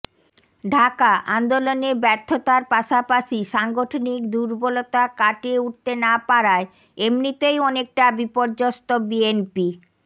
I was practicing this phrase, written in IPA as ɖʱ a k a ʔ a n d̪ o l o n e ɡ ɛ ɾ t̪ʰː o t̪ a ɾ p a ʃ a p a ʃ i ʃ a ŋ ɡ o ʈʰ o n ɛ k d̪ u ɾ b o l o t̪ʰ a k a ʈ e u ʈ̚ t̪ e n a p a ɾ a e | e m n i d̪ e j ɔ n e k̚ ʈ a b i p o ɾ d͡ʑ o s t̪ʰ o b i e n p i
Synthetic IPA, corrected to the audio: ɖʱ a k a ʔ a n d̪ o l o n e b ɛ ɾ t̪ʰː o t̪ a ɾ p a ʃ a p a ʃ i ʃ a ŋ ɡ o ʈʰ o n i k d̪ u ɾ b o l o t̪ a k a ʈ e u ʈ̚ t̪ e n a p a ɾ a e | e m n i t̪ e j ɔ n e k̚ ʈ a b i p o ɾ d͡ʑ o s t̪ o b i e n p i

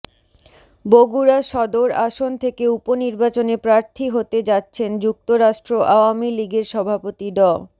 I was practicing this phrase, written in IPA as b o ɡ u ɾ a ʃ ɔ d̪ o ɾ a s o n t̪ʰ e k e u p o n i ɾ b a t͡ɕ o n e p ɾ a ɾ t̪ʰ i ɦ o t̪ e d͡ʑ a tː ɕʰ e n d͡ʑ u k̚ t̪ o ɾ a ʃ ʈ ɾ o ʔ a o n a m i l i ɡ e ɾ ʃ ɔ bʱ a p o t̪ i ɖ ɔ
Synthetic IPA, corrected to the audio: b o ɡ u ɾ a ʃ ɔ d̪ o ɾ a ʃ o n t̪ʰ e k e u p o n i ɾ b a t͡ɕ o n e p ɾ a ɾ t̪ʰ i ɦ o t̪ e d͡ʑ a tː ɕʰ e n d͡ʑ u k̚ t̪ o ɾ a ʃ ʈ ɾ o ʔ a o a m i l i ɡ e ɾ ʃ ɔ bʱ a p o t̪ i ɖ ɔ

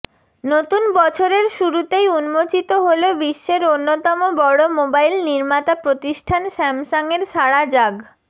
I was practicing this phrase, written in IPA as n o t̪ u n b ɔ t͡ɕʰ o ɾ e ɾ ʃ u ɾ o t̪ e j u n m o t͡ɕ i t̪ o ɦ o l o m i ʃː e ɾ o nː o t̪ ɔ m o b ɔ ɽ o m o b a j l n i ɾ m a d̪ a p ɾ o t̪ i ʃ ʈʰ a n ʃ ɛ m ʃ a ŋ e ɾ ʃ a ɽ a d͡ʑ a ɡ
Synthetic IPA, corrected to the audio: n o t̪ u n b ɔ t͡ɕʰ o ɾ e ɾ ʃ u ɾ u t̪ e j u n m o t͡ɕ i t̪ o ɦ o l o b i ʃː e ɾ o nː o t̪ ɔ m o b ɔ ɽ o m o b a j l n i ɾ m a t̪ a p ɾ o t̪ i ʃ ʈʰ a n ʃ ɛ m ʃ a ŋ e ɾ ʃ a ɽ a d͡ʑ a ɡ

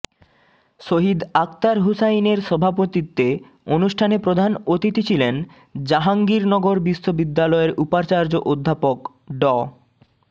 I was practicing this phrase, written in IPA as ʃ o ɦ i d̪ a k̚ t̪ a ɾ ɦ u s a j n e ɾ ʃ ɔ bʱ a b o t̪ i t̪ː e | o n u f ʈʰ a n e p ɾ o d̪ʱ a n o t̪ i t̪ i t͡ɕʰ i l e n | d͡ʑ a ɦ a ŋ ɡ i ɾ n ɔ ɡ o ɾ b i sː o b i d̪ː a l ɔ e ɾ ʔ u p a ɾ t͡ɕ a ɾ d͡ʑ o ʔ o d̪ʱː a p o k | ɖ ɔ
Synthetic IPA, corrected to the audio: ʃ o ɦ i d̪ a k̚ t̪ a ɾ ɦ u s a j n e ɾ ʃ ɔ bʱ a p o t̪ i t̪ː e | o n u ʃ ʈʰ a n e p ɾ o d̪ʱ a n o t̪ i t̪ i t͡ɕʰ i l e n | d͡ʑ a ɦ a ŋ ɡ i ɾ n ɔ ɡ o ɾ b i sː o b i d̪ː a l ɔ e ɾ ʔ u p a ɾ t͡ɕ a ɾ d͡ʑ o ʔ o d̪ʱː a p o k | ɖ ɔ

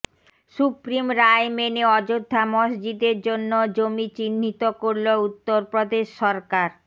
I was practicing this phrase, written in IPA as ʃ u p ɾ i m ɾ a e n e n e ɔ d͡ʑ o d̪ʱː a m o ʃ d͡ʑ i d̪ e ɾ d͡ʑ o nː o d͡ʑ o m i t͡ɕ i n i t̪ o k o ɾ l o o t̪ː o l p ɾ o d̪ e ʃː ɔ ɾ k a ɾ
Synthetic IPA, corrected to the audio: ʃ u p ɾ i m ɾ a e m e n e ɔ d͡ʑ o d̪ʱː a m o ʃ d͡ʑ i d̪ e ɾ d͡ʑ o nː o d͡ʑ o m i t͡ɕ i nː i t̪ o k o ɾ l o u t̪ː o ɾ p ɾ o d̪ e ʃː ɔ ɾ k a ɾ

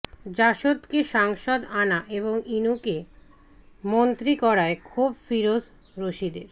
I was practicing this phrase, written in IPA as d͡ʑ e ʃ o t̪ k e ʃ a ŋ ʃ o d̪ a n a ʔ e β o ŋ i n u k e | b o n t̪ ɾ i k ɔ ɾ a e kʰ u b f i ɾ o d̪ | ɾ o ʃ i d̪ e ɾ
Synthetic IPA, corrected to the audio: d͡ʑ a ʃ o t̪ k e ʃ a ŋ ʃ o d̪ a n a ʔ e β o ŋ i n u k e | m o n t̪ ɾ i k ɔ ɾ a e kʰ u b f i ɾ o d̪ | ɾ o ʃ i d̪ e ɾ

